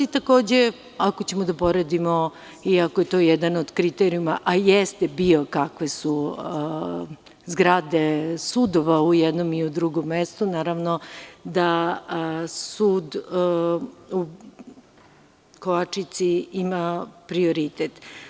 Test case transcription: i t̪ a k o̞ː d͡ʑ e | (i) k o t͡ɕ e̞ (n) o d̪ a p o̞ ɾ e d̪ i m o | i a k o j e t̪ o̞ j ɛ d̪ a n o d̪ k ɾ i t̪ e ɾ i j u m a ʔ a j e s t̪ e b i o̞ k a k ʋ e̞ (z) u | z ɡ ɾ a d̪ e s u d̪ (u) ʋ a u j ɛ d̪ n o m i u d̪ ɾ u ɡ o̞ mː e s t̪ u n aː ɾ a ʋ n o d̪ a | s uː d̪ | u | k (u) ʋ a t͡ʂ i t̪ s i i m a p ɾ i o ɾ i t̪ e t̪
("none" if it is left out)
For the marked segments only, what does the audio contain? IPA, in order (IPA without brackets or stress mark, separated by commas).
a, m, s, o, o